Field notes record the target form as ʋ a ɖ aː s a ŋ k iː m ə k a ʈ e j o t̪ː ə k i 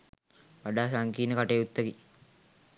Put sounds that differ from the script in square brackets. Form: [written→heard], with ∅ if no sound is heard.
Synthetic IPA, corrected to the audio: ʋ a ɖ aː s a ŋ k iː [m→n] ə k a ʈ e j [o→u] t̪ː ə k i